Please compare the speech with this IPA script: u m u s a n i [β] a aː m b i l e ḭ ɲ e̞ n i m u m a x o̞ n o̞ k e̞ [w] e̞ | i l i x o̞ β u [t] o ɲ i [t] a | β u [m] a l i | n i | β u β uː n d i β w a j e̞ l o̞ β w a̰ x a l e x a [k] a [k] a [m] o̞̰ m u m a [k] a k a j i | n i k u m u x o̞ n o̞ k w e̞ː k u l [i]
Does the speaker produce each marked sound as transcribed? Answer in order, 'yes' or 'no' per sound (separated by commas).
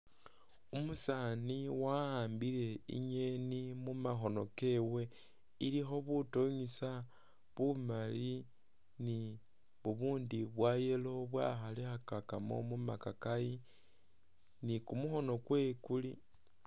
no, yes, yes, no, yes, yes, yes, yes, yes, yes